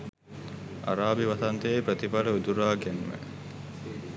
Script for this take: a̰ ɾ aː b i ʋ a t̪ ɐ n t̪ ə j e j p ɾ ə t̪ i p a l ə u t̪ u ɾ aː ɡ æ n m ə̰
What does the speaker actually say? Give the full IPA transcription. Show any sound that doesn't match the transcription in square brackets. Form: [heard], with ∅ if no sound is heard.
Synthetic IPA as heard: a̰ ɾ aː b i ʋ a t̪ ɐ n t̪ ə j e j p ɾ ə t̪ i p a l ə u [d̪] u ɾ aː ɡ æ n m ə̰

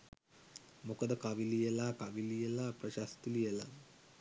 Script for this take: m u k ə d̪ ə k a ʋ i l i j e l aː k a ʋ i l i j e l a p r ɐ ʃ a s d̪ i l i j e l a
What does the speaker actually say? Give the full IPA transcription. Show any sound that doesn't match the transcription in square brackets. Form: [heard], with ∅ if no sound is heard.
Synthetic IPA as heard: m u k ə d̪ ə k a ʋ i l i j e l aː k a ʋ i l i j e l a p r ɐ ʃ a s [t̪] i l i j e l a

